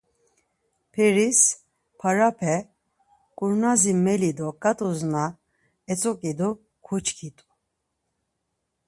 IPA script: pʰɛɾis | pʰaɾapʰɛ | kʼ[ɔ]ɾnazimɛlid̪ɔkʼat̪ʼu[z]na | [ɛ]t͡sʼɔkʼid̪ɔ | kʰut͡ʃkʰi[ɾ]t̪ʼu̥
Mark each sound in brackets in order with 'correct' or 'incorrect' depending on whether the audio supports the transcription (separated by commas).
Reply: incorrect, correct, correct, incorrect